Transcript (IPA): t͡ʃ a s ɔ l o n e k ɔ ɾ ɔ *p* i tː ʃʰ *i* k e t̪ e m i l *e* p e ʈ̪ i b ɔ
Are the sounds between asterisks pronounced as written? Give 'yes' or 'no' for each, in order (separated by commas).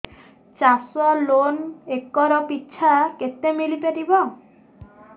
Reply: yes, no, no